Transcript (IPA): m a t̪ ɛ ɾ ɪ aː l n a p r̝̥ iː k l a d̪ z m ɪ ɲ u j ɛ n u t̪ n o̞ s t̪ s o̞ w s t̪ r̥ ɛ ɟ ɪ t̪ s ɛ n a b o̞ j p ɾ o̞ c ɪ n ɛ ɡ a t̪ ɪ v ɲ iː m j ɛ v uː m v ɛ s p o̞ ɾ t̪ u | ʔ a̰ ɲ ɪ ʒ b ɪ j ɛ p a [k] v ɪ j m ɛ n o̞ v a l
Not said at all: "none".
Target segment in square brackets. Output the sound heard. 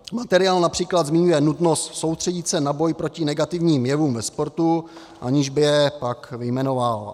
k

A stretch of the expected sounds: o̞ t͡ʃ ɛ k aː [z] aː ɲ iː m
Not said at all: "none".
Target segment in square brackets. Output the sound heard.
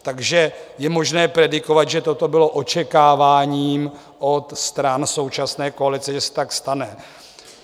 v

